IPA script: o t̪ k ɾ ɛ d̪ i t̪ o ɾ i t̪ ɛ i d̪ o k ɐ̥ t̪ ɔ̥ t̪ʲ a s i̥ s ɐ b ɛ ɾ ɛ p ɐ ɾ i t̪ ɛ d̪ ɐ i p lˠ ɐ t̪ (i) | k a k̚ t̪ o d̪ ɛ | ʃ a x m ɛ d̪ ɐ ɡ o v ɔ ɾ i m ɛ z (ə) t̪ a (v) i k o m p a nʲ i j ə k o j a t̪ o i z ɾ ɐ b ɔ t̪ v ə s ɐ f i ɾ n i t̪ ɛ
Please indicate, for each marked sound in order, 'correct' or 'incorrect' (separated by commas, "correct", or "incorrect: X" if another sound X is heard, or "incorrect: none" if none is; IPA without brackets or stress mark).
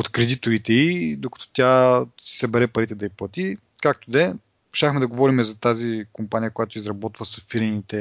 correct, incorrect: ɐ, incorrect: z